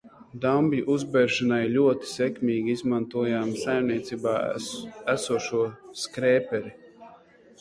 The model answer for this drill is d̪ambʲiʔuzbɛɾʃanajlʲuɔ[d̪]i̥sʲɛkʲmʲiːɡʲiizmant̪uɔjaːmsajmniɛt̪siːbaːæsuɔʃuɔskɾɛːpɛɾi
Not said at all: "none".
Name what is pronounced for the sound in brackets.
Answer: t̪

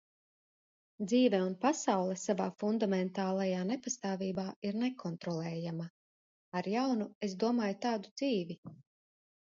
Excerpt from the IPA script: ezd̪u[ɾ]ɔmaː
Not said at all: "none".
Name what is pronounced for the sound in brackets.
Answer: none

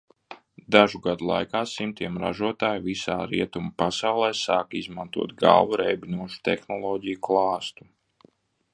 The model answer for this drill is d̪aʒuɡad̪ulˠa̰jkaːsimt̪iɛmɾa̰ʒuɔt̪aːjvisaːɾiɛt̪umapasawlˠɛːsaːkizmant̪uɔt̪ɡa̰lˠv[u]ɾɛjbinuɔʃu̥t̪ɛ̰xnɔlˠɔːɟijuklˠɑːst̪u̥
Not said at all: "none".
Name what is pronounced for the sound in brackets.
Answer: u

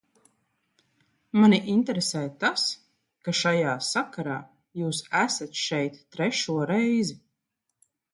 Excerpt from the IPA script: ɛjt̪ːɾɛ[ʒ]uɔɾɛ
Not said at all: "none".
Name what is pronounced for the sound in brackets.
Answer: ʃ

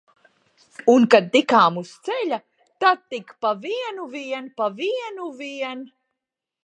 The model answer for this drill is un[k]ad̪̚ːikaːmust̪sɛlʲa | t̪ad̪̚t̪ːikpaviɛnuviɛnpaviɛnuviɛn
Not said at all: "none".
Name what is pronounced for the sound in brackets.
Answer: k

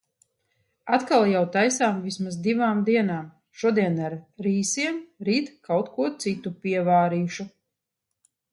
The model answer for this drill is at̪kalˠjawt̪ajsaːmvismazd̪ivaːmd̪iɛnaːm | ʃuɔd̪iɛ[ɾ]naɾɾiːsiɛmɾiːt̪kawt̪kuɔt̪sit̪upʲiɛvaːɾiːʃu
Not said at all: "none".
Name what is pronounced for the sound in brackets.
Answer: none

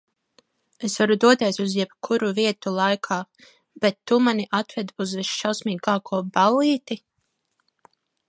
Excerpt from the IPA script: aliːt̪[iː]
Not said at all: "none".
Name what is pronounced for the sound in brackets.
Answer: i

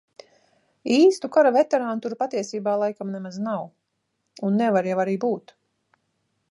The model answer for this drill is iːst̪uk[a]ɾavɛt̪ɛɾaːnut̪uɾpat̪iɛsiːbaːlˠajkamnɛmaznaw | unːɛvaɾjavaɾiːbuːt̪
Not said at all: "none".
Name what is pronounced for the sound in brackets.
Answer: a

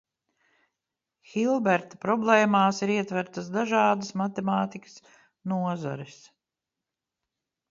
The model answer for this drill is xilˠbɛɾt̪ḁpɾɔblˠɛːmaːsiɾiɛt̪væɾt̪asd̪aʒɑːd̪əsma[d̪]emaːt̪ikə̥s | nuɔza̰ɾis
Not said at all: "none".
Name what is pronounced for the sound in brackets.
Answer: t̪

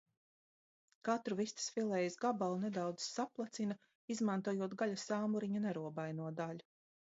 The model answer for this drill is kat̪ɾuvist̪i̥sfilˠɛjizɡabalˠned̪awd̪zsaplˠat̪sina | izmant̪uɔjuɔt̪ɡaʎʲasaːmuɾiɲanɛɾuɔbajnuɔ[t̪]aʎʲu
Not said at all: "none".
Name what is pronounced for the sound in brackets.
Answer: d̪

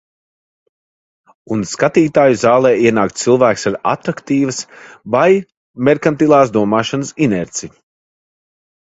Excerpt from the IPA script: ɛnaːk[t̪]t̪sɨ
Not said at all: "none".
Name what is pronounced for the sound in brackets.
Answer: t̪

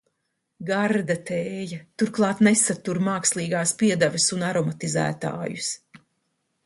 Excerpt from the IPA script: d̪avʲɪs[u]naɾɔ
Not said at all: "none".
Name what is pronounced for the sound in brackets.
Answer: u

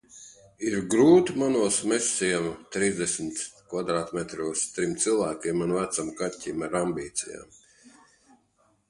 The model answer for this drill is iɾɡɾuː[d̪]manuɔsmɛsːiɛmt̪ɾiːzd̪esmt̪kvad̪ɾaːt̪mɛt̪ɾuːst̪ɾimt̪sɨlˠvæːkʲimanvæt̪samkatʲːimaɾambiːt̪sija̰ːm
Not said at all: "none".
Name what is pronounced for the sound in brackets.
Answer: t̪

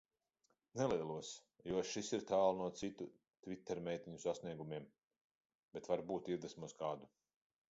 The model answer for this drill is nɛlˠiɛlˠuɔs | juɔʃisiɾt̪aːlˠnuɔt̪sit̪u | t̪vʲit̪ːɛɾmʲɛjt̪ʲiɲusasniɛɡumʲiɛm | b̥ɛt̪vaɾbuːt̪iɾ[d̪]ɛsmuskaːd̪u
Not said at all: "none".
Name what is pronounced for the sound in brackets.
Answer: d̪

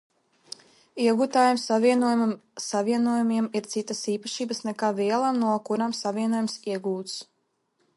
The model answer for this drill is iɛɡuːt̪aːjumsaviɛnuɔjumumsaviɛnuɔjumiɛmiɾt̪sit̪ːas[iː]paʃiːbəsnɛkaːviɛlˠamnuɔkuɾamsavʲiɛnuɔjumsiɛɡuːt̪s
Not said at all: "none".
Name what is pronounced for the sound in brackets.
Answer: iː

